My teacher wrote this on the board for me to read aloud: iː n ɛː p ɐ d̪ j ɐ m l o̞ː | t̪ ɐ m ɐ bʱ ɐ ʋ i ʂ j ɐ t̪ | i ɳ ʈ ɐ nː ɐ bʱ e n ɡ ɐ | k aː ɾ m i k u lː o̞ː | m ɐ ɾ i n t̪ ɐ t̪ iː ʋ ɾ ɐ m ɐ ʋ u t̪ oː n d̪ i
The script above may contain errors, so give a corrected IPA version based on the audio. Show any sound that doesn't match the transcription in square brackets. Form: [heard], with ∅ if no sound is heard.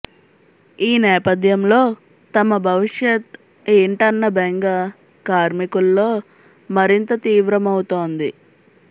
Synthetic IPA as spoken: iː n ɛː p ɐ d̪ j ɐ m l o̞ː | t̪ ɐ m ɐ bʱ ɐ ʋ i ʂ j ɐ t̪ | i ɳ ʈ ɐ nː ɐ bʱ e [ŋ] ɡ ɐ | k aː ɾ m i k u lː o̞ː | m ɐ ɾ i n t̪ ɐ t̪ iː ʋ ɾ ɐ m ɐ [w] u t̪ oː n d̪ i